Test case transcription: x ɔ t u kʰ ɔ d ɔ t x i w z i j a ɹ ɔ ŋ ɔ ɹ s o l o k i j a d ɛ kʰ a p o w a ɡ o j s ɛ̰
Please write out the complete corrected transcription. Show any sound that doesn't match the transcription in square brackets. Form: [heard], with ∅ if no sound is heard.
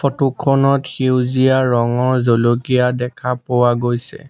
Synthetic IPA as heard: [f] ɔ t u kʰ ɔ [n] ɔ t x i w z i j a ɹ ɔ ŋ ɔ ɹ [z] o l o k i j a d ɛ kʰ a p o w a ɡ o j s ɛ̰